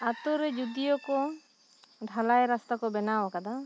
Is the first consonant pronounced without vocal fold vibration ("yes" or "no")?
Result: yes